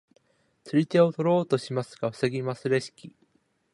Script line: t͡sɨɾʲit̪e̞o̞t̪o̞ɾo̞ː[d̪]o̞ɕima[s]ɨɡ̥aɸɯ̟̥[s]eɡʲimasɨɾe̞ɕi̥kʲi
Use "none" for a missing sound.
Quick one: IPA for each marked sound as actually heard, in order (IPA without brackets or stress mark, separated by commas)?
t̪, s, s